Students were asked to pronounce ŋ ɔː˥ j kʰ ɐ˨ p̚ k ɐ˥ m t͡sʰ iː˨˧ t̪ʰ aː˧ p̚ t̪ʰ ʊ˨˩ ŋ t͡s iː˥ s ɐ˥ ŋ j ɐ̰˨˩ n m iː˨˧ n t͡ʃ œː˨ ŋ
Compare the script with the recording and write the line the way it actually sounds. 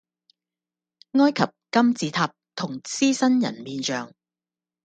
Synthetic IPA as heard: ŋ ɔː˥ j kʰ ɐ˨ p̚ k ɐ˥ m t͡s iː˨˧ t̪ʰ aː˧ p̚ t̪ʰ ʊ˨˩ ŋ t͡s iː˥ s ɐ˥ n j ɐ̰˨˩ n m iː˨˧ n t͡ʃ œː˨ ŋ